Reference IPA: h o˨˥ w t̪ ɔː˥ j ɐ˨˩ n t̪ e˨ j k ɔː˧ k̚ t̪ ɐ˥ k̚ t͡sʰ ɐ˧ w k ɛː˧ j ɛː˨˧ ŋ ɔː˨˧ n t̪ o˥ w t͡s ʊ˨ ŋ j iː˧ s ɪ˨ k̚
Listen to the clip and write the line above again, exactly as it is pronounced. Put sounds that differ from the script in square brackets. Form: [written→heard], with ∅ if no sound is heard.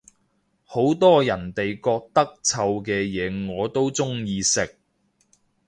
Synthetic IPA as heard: h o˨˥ w t̪ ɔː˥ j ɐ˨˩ n t̪ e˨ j k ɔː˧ k̚ t̪ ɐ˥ k̚ t͡sʰ ɐ˧ w k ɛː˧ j ɛː˨˧ ŋ ɔː˨˧ [n→∅] t̪ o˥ w t͡s [ʊ˨→ʊ˥] ŋ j iː˧ s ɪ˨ k̚